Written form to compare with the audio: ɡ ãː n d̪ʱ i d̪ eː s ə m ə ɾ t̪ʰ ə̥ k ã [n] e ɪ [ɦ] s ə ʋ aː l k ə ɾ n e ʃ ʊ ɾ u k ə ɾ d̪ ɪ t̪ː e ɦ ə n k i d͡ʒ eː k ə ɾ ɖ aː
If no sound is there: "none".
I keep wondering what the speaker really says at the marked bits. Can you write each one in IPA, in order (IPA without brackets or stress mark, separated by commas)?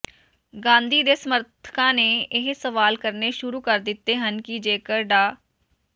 n, ɦ